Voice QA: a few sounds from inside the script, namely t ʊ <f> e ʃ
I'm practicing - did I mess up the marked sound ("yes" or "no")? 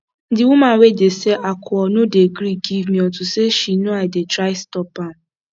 yes